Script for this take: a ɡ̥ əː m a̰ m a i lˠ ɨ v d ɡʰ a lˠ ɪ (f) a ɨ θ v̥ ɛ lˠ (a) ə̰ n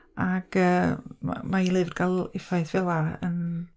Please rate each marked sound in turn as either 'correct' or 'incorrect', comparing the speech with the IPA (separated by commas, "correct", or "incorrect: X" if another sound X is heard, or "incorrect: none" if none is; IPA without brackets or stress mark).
correct, correct